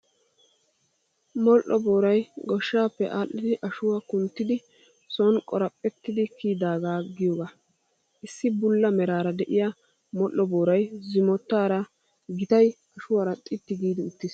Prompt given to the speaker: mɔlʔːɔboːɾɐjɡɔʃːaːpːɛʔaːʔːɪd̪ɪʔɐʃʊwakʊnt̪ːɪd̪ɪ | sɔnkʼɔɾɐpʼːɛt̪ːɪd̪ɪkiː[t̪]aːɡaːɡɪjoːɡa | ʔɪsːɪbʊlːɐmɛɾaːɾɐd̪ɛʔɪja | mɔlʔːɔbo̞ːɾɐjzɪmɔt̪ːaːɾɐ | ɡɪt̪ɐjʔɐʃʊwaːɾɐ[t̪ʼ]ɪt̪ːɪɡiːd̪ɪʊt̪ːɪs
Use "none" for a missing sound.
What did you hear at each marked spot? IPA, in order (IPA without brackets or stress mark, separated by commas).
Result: d̪, t̪ʼ